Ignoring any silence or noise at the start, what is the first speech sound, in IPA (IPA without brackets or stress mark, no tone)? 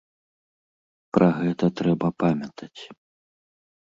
p